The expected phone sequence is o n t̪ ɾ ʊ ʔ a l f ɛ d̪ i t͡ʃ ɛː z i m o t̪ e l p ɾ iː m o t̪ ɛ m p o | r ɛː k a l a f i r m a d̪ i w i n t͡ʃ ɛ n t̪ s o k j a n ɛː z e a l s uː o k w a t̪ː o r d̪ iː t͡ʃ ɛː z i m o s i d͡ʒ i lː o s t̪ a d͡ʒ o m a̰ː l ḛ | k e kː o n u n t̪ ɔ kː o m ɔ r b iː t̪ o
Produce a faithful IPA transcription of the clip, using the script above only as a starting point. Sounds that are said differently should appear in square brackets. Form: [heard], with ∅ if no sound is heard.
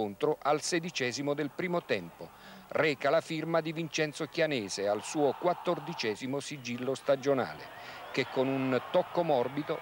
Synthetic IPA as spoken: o n t̪ ɾ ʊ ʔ a l [s] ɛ d̪ i t͡ʃ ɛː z i m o [d̪] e l p ɾ iː m o t̪ ɛ m p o | r ɛː k a l a f i r m a d̪ i [v] i n t͡ʃ ɛ n t̪ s o k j a n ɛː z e a l s uː o k w a t̪ː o r d̪ [i] t͡ʃ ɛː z i m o s i d͡ʒ i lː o s t̪ a d͡ʒ o [n] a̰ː l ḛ | k e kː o n u n t̪ ɔ kː o m ɔ r b [i] t̪ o

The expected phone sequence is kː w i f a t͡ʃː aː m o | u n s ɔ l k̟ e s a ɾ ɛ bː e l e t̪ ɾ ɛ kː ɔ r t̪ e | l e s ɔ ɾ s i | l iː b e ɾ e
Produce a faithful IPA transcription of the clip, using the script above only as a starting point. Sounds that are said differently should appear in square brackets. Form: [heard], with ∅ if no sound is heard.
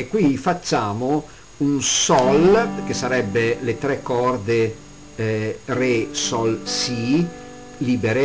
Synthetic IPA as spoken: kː w i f a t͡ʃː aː m o | u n s ɔ l k̟ e s a ɾ ɛ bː e l e t̪ ɾ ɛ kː ɔ r [d̪] e | [r] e s ɔ [l] s i | l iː b e ɾ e

